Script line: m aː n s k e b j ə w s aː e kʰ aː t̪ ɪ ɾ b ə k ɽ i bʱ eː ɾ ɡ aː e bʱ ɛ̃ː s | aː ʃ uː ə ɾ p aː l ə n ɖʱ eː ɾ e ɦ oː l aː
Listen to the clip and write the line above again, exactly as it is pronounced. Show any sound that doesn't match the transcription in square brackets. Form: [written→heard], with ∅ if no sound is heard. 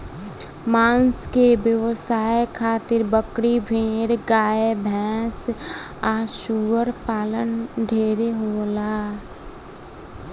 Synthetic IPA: m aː n s k e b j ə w s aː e kʰ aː t̪ ɪ ɾ b ə k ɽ i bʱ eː ɾ ɡ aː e bʱ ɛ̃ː s | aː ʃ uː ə ɾ p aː l ə n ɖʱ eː ɾ e ɦ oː l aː